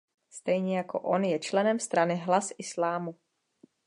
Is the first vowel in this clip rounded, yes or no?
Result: no